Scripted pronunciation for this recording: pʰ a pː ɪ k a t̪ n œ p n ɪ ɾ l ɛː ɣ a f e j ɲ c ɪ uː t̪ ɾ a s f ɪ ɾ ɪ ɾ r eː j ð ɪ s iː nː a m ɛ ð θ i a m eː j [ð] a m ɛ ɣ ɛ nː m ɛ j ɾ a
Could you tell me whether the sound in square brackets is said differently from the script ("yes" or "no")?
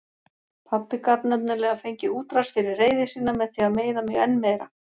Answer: no